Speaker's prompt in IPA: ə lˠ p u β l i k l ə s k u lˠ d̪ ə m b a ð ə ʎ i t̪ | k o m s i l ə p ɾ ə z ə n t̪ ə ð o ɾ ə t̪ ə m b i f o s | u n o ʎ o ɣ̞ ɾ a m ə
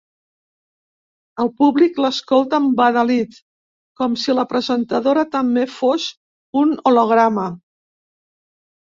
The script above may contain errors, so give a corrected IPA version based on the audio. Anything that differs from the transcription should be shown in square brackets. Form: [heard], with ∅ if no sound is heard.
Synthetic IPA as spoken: ə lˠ p u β l i k l ə s k [o] lˠ [t̪] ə m b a ð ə [l] i t̪ | k [ɔ] m s i l ə p ɾ ə z ə n t̪ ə ð o ɾ ə t̪ ə m b [e] f o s | u n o [l] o ɣ̞ ɾ a m ə